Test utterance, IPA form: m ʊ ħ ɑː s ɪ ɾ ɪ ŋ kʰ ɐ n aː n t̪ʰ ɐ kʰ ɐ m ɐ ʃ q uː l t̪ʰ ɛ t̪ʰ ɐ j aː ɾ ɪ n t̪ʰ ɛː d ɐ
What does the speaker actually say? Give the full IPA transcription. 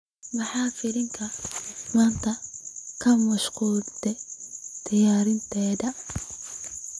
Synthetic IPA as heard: m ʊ ħ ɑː f ɪ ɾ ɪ ŋ kʰ ɐ m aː n t̪ʰ ɐ kʰ ɐ m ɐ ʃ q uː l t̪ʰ ɛ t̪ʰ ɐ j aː ɾ ɪ n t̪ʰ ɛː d ɐ